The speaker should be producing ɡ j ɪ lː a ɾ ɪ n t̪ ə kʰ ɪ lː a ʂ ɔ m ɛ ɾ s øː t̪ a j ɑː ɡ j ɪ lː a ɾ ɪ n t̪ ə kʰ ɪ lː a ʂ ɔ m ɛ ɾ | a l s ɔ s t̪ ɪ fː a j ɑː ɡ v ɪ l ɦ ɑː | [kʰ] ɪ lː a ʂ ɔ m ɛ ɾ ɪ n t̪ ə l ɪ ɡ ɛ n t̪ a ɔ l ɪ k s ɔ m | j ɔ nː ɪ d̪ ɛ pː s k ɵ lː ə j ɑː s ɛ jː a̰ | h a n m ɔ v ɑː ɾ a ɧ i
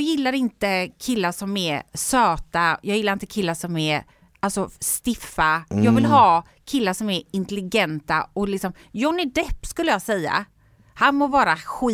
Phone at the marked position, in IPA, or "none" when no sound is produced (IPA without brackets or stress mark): kʰ